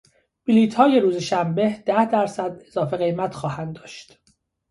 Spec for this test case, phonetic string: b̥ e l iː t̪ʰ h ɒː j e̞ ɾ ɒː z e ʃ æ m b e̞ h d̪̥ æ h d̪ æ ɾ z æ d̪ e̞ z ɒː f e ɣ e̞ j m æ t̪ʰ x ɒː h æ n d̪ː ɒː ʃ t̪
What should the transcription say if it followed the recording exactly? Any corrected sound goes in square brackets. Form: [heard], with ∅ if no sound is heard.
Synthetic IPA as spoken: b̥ [i] l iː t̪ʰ h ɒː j e̞ ɾ [uː] z e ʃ æ m b e̞ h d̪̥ æ h d̪ æ ɾ [s] æ d̪ e̞ z ɒː f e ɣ e̞ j m æ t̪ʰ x ɒː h æ n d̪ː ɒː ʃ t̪